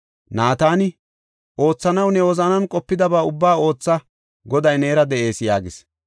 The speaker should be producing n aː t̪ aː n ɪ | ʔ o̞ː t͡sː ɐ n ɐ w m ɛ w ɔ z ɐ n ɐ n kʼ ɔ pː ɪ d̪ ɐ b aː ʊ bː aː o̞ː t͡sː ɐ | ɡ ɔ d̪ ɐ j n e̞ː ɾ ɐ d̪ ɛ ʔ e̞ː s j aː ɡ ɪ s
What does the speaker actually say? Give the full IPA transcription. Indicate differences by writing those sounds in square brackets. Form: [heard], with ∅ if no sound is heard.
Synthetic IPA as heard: n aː t̪ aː n ɪ | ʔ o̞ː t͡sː ɐ n ɐ w [n] ɛ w ɔ z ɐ n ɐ n kʼ ɔ pː ɪ d̪ ɐ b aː ʊ bː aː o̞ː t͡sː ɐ | ɡ ɔ d̪ ɐ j n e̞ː ɾ ɐ d̪ ɛ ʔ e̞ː s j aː ɡ ɪ s